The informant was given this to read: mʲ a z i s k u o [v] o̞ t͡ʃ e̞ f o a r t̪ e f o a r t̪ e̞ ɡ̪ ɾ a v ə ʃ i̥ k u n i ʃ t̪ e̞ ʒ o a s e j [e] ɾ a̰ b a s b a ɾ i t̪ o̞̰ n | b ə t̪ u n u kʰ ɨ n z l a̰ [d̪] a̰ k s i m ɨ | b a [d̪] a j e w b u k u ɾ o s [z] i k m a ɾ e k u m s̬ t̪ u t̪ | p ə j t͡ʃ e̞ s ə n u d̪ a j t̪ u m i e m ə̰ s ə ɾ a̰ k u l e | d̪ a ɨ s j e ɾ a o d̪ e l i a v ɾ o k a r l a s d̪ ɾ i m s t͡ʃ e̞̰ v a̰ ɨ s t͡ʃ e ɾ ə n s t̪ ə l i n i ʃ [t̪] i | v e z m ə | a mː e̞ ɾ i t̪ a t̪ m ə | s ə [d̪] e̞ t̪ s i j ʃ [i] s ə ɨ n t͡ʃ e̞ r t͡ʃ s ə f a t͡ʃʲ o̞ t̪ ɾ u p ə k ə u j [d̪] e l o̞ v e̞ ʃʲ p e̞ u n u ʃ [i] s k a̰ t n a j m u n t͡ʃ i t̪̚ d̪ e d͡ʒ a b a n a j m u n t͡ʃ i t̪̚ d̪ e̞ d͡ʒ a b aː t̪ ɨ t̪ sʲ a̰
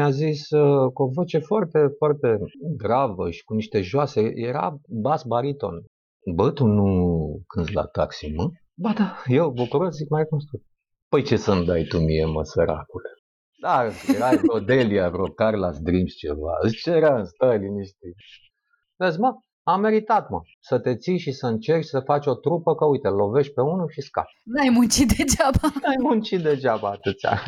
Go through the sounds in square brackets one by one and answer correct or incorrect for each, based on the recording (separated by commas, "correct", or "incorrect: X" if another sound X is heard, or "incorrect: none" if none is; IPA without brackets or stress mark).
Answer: correct, correct, incorrect: t̪, correct, correct, correct, incorrect: t̪, correct, incorrect: t̪, correct